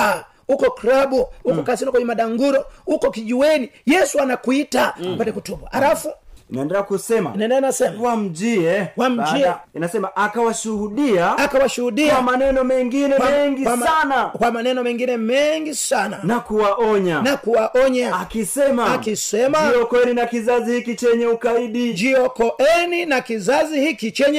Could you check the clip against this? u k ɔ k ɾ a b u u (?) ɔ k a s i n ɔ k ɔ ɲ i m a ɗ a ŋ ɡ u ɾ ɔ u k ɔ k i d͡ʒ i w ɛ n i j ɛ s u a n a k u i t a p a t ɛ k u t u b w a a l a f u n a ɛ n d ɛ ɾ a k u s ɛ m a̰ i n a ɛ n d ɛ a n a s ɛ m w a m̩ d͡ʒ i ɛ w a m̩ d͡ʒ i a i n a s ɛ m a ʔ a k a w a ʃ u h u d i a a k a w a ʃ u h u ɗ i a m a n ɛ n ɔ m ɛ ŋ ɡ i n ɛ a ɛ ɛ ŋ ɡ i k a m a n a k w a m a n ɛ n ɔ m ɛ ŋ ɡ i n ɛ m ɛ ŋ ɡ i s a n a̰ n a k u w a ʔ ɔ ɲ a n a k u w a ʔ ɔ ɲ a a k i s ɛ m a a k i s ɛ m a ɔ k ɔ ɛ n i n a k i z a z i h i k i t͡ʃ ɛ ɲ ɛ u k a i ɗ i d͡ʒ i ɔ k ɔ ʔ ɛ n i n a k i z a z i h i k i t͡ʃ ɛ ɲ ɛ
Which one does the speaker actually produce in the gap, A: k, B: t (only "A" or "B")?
A